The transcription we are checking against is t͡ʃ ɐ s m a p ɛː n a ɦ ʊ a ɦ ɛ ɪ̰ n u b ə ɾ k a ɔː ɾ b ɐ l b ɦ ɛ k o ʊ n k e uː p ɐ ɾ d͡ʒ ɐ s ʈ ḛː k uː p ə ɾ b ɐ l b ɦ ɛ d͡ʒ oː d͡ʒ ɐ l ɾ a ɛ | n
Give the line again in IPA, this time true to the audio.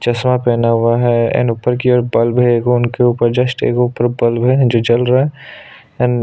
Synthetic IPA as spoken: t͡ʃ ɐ s m a p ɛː n a ɦ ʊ a ɦ ɛ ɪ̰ n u p ə ɾ k i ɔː ɾ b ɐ l b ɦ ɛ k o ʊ n k e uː p ə ɾ d͡ʒ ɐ s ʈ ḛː k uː p ə ɾ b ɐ l b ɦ ɛ d͡ʒ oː d͡ʒ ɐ l ɾ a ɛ | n

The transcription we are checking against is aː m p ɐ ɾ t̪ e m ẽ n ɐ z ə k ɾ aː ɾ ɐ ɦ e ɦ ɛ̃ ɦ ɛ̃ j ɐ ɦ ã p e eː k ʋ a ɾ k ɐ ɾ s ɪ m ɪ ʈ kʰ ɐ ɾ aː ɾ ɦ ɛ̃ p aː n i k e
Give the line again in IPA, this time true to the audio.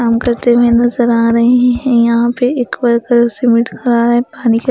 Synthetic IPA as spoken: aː m k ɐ ɾ t̪ e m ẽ n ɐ z ə ɾ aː ɾ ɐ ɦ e ɦ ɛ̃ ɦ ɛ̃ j ɐ ɦ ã p e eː k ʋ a ɾ k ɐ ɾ s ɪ m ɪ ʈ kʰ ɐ ɾ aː ɾ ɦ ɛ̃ p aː n i k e

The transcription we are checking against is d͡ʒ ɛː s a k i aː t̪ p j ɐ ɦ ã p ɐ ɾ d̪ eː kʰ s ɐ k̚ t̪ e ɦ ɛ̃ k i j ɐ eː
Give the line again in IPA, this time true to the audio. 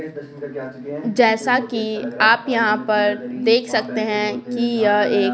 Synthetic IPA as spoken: d͡ʒ ɛː s a k i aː p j ɐ ɦ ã p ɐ ɾ d̪ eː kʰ s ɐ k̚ t̪ e ɦ ɛ̃ k i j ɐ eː

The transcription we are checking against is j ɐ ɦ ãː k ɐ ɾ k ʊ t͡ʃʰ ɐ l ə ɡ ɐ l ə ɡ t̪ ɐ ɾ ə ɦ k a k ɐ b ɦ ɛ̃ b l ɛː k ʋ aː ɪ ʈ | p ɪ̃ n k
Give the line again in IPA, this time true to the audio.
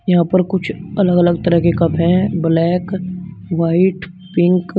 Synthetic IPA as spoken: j ɐ ɦ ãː p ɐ ɾ k ʊ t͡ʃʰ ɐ l ə ɡ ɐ l ə ɡ t̪ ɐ ɾ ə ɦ k e k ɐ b ɦ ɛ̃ b l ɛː k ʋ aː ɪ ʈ | p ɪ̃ ŋ k

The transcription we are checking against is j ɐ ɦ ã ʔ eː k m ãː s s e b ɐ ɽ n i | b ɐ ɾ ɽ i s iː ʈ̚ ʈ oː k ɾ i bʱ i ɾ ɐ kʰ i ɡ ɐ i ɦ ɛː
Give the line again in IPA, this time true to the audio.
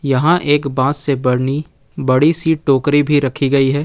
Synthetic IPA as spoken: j ɐ ɦ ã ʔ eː k b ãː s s e b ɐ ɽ n i | b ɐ ɽ i s iː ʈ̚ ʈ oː k ɾ i bʱ i ɾ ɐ kʰ i ɡ ɐ i ɦ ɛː

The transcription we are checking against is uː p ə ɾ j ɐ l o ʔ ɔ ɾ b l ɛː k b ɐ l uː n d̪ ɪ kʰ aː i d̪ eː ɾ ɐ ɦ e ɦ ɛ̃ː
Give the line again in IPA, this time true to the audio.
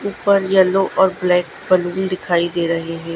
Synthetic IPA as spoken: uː p ə ɾ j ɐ l o ʔ ɔː ɾ b l ɛː k b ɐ l uː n d̪ ɪ kʰ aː i d̪ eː ɾ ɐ ɦ e ɦ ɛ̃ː

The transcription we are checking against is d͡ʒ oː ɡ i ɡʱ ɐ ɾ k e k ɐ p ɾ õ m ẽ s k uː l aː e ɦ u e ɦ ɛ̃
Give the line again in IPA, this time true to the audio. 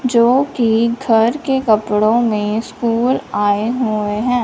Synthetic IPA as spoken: d͡ʒ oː k i ɡʱ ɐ ɾ k e k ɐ p ɽ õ m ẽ s k uː l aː e ɦ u e ɦ ɛ̃ː

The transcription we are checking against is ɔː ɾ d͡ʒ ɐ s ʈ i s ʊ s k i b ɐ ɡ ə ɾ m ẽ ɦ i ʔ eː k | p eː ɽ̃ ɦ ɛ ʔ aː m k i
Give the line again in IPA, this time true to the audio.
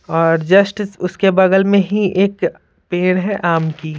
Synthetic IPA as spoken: ɔː ɾ d͡ʒ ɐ s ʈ ɪ s ʊ s k e b ɐ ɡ ə l m ẽ ɦ i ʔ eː k | p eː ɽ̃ ɦ ɛ ʔ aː m k i

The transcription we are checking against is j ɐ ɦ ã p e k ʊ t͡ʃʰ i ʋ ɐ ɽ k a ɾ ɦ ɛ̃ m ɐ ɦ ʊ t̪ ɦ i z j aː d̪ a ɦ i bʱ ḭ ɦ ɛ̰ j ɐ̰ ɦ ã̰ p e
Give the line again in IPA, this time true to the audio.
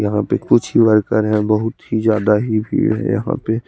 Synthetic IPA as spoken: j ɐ ɦ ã p e k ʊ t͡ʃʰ i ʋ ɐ ɾ k ə ɾ ɦ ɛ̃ b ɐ ɦ ʊ t̪ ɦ i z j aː d̪ a ɦ i bʱ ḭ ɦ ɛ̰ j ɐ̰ ɦ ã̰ p e

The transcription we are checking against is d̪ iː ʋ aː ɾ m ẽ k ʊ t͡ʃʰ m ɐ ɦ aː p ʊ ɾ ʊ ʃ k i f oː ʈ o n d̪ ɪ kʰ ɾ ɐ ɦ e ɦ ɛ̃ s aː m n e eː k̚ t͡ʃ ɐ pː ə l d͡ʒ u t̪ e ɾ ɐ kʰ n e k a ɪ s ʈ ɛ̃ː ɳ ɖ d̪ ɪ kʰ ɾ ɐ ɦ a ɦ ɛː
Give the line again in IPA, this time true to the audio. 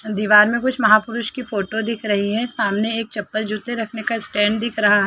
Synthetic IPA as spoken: d̪ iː ʋ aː ɾ m ẽ k ʊ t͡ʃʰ m ɐ ɦ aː p ʊ ɾ ʊ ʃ k i f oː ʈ o d̪ ɪ kʰ ɾ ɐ ɦ i ɦ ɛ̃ s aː m n e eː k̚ t͡ʃ ɐ pː ə l d͡ʒ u t̪ e ɾ ɐ kʰ n e k a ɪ s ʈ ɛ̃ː ɳ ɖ d̪ ɪ kʰ ɾ ɐ ɦ a ɦ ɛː

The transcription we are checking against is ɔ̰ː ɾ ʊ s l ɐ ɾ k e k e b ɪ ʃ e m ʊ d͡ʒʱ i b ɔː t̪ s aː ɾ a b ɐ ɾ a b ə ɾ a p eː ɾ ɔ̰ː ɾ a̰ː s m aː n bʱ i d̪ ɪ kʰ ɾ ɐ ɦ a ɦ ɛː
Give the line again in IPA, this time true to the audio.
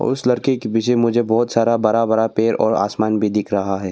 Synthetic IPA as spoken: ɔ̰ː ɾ ʊ s l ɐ ɾ k e k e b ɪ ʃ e m ʊ d͡ʒʱ e b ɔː t̪ s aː ɾ a b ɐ ɾ a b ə ɾ a p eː ɾ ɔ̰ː ɾ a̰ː s m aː n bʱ i d̪ ɪ kʰ ɾ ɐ ɦ a ɦ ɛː

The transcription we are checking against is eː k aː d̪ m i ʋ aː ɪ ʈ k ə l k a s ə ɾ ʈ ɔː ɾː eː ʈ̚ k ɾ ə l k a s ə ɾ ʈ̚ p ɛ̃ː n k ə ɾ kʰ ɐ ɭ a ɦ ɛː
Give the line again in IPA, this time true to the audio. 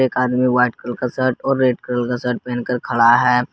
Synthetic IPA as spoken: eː k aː d̪ m i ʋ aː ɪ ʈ k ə l k a s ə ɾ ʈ ɔː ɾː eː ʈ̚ k ɾ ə l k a s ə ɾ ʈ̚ p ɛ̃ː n k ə ɾ kʰ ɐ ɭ a ɦ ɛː

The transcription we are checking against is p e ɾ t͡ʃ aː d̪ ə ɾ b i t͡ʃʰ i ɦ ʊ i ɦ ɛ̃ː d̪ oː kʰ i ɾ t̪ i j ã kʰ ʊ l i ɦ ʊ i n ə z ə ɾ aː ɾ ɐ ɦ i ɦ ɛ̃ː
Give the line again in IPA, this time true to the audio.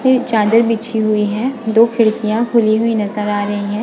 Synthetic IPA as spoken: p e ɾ t͡ʃ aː d̪ ə ɾ b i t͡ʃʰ i ɦ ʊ i ɦ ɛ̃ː d̪ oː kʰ ɪ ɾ t̪ i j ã kʰ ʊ l i ɦ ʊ i n ɐ z ə ɾ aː ɾ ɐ ɦ i ɦ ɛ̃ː

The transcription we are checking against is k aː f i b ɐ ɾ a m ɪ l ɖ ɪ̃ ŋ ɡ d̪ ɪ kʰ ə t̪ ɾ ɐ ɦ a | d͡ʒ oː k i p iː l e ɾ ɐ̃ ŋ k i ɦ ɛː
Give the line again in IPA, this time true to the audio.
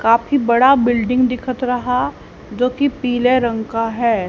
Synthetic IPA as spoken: k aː f i b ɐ ɽ a b ɪ l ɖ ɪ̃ ŋ ɡ d̪ ɪ kʰ ə t̪ ɾ ɐ ɦ a | d͡ʒ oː k i p iː l e ɾ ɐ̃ ŋ k a ɦ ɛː

